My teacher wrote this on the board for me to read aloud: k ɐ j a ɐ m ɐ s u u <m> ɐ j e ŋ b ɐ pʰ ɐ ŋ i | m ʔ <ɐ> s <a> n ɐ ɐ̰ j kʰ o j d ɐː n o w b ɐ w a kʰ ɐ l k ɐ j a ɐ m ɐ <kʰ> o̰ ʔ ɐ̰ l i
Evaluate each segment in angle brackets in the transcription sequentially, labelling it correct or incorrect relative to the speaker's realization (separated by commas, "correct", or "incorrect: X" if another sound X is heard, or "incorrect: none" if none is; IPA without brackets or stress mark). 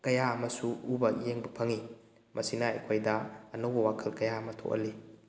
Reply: incorrect: b, correct, incorrect: i, incorrect: tʰ